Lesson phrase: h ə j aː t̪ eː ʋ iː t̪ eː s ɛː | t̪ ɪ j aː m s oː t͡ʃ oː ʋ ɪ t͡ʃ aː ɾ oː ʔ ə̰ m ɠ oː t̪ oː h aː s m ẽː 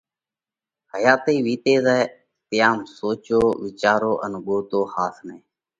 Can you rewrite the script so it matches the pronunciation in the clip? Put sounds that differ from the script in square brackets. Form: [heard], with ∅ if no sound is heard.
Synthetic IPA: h ə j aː t̪ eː ʋ iː t̪ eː [z] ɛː | t̪ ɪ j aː m s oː t͡ʃ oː ʋ ɪ t͡ʃ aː ɾ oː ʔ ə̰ [n] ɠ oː t̪ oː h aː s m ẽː